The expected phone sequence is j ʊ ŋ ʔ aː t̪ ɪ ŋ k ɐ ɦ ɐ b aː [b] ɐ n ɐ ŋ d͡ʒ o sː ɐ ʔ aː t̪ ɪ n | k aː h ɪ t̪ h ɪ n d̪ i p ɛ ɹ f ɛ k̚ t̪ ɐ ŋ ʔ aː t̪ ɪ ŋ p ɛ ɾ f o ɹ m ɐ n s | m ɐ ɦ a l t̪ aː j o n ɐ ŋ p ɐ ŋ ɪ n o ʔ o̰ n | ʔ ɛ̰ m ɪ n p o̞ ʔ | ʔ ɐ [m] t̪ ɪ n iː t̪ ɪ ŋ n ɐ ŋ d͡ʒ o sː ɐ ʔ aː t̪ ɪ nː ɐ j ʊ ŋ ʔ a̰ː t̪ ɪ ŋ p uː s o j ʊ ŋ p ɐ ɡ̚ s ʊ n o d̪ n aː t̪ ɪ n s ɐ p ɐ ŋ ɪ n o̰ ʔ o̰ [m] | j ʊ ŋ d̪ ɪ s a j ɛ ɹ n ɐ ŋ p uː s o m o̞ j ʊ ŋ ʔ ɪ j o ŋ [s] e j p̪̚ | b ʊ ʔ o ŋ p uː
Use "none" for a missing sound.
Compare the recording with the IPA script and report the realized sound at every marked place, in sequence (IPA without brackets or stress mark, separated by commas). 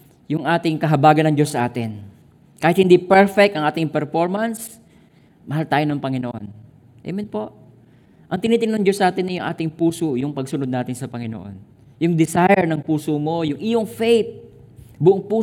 ɡ, ŋ, n, f